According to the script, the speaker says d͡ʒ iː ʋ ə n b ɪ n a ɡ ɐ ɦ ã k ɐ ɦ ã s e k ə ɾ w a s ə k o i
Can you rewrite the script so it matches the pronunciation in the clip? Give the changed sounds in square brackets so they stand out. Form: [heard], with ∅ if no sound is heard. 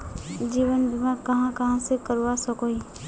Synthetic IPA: d͡ʒ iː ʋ ə n b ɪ [m] a [k] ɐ ɦ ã k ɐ ɦ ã s e k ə ɾ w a s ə k o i